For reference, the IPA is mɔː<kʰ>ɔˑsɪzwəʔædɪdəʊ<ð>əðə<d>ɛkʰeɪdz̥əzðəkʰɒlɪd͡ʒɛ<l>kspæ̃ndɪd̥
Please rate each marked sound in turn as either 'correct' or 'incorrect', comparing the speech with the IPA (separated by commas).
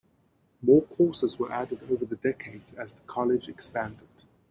correct, incorrect, correct, incorrect